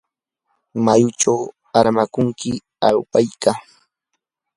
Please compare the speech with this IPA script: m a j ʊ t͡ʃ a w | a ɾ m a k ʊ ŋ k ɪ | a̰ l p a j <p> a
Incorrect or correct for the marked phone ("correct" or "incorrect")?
incorrect